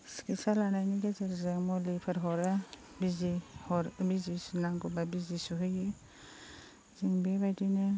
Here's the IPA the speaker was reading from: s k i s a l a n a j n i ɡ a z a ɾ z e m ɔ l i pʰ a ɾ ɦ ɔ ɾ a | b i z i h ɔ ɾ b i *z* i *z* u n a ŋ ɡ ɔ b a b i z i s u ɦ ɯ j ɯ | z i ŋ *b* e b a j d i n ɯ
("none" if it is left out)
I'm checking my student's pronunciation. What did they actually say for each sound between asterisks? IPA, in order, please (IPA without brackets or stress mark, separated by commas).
z, s, b